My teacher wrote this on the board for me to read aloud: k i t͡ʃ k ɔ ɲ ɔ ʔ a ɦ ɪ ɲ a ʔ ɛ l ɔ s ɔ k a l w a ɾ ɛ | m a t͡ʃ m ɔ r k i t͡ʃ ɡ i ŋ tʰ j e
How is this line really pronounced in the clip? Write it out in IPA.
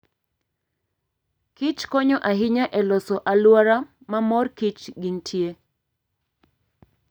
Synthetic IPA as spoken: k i t͡ʃ k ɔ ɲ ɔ ʔ a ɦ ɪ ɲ a ʔ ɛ l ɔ s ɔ ʔ a l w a ɾ a | m a m ɔ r k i t͡ʃ ɡ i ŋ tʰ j e

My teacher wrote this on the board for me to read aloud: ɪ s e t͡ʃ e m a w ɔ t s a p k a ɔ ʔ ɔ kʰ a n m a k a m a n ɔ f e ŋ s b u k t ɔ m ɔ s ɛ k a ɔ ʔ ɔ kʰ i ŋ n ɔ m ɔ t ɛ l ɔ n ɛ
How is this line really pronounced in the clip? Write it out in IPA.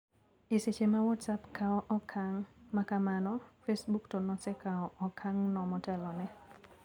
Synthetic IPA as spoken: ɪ s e t͡ʃ e m a w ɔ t s a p k a ɔ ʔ ɔ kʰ a ŋ m a k a m a n ɔ f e s b u k t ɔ n ɔ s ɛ k a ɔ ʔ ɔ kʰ a ŋ n ɔ m ɔ t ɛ l ɔ n ɛ

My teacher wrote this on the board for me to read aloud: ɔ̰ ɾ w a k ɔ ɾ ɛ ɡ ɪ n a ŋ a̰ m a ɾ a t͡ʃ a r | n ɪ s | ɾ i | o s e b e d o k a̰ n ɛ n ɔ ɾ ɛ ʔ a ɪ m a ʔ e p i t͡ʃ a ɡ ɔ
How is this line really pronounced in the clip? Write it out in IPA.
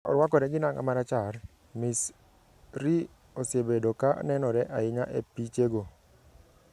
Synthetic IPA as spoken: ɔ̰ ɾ w a k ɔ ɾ ɛ ɡ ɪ n a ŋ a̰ m a ɾ a t͡ʃ a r | m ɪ s | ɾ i | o s e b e d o k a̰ n ɛ n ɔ ɾ ɛ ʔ a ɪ ɲ a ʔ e p i t͡ʃ e ɡ o

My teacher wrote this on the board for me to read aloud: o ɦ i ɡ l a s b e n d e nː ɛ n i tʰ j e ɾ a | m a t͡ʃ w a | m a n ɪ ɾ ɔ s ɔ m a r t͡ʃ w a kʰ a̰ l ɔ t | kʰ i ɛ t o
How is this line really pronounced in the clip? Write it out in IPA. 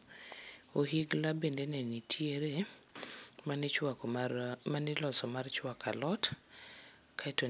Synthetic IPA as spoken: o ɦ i ɡ l a b e n d e n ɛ n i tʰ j e ɾ e | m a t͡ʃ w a | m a n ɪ l ɔ s ɔ m a r t͡ʃ w a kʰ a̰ l ɔ t | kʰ a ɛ t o

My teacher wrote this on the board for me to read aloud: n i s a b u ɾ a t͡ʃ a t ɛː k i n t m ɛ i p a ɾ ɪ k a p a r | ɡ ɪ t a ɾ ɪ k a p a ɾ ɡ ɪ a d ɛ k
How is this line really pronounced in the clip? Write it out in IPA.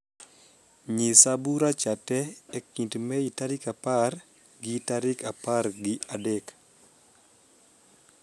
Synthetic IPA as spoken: ɲ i s a b u ɾ a t͡ʃ a t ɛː k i n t m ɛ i t a ɾ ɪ k a p a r | ɡ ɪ t a ɾ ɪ k a p a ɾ ɡ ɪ a d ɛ k

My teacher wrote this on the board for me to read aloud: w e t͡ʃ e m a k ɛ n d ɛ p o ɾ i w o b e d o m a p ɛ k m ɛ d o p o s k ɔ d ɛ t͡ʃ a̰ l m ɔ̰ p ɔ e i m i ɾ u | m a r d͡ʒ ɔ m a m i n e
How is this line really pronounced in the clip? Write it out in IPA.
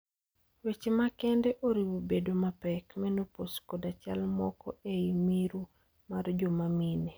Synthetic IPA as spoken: w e t͡ʃ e m a k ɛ n d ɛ ʔ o ɾ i w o b e d o m a p ɛ k m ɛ n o p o s k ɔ d a t͡ʃ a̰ l m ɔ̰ k ɔ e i m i ɾ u | m a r d͡ʒ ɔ m a m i n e

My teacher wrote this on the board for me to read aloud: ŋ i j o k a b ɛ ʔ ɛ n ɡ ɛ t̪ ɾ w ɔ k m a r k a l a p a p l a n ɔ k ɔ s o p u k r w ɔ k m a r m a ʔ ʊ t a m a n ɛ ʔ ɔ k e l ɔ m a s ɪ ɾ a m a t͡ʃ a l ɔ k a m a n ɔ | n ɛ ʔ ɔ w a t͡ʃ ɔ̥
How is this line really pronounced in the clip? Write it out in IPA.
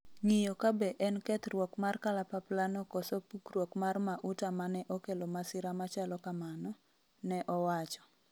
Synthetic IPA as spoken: ŋ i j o k a b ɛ ʔ ɛ n k ɛ t̪ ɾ w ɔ k m a r k a l a p a p l a n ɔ k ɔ s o p u k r w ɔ k m a r m a ʔ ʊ t a m a n ɛ ʔ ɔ k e l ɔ m a s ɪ ɾ a m a t͡ʃ a l ɔ k a m a n ɔ | n ɛ ʔ ɔ w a t͡ʃ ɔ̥

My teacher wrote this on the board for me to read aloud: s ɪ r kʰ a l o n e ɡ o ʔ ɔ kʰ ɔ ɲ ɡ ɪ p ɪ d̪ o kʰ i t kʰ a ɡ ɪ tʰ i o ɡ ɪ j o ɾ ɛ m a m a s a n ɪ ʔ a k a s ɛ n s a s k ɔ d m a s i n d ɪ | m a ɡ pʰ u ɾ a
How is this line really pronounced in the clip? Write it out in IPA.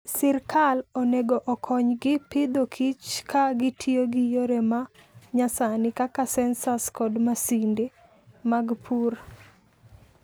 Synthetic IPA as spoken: s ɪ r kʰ a l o n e ɡ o ʔ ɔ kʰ ɔ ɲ ɡ ɪ p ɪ d̪ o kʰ i t͡ʃ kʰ a ɡ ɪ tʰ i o ɡ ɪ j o ɾ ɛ m a ɲ a s a n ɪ k a k a s ɛ n s a s k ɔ d m a s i n d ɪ | m a ɡ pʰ u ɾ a

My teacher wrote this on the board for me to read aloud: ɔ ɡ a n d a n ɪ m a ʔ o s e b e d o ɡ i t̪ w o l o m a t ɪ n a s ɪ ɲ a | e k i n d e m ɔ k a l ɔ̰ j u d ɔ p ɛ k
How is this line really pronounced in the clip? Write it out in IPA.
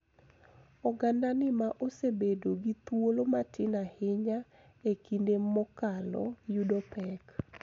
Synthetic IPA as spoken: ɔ ɡ a n d a n ɪ m a ʔ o s e b e d o ɡ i t̪ w o l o m a t ɪ n a h ɪ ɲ a | e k i n d e m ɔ k a l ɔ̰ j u d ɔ p ɛ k

